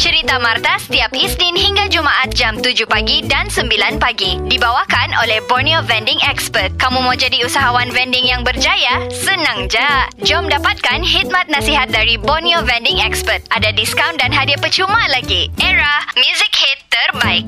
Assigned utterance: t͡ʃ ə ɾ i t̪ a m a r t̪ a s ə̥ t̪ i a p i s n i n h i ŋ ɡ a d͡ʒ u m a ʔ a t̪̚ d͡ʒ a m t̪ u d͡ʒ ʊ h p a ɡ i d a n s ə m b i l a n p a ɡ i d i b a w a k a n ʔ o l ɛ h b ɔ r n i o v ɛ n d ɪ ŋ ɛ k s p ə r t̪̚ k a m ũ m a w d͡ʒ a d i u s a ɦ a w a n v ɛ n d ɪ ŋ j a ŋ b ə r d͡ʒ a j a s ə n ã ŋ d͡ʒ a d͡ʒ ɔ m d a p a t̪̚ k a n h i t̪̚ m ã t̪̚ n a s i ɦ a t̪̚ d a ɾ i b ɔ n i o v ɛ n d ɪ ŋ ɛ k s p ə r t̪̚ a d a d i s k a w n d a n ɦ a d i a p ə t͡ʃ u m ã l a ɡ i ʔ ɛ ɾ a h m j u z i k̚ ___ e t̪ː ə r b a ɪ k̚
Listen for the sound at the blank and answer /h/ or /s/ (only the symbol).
h